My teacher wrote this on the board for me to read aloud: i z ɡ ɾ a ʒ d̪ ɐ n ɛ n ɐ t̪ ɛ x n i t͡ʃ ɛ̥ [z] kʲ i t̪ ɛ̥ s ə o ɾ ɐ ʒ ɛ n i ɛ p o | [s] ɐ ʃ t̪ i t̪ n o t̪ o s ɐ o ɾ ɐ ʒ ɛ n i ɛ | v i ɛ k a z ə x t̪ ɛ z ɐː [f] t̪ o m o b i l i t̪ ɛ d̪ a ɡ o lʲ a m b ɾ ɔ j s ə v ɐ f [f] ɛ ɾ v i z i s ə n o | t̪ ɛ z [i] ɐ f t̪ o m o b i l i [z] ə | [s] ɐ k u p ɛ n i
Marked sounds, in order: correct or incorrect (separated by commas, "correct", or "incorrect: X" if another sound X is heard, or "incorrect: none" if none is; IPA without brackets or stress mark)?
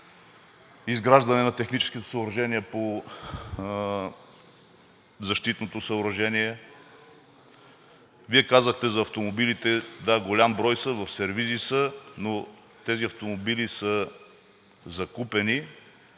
incorrect: s, incorrect: z, correct, incorrect: s, correct, incorrect: s, incorrect: z